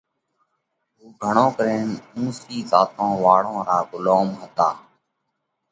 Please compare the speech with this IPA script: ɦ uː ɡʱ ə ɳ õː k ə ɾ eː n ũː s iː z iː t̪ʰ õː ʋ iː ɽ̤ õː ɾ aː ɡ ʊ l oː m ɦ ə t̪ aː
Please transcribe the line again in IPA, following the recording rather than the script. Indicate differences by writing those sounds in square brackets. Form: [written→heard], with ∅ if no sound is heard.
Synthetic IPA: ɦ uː ɡʱ ə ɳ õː k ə ɾ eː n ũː s iː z [iː→aː] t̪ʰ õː ʋ [iː→aː] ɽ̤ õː ɾ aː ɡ ʊ l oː m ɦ ə t̪ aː